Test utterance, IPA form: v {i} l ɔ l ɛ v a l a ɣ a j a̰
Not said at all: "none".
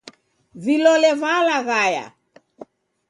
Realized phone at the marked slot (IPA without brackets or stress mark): i